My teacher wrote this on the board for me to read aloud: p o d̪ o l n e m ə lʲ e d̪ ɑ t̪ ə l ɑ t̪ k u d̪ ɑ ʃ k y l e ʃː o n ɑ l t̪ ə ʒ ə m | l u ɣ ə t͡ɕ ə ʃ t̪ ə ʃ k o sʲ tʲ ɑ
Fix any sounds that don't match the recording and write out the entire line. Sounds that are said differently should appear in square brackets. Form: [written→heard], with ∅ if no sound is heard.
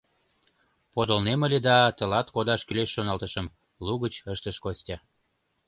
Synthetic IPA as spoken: p o d̪ o l n e m ə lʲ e d̪ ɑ t̪ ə l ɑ t̪ k [u→o] d̪ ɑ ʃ k y l e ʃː o n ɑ l t̪ ə [ʒ→ʃ] ə m | l u ɣ ə t͡ɕ ə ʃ t̪ ə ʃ k o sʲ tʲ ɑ